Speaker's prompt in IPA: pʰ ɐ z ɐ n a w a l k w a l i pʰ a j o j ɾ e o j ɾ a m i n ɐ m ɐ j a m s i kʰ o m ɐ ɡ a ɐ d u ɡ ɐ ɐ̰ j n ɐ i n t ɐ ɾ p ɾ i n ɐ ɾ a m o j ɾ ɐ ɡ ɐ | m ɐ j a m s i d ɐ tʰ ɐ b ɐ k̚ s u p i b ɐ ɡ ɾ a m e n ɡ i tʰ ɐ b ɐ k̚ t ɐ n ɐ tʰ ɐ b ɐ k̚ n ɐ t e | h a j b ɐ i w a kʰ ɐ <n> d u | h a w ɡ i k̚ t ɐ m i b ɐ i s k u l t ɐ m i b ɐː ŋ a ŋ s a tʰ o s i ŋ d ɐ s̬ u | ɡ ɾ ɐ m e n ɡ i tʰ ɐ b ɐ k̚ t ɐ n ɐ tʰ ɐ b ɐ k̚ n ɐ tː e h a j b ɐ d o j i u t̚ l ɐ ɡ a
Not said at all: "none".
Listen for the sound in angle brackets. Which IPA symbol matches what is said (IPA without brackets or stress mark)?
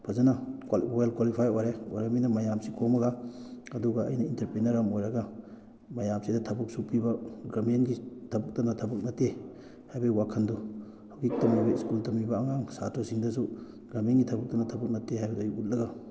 n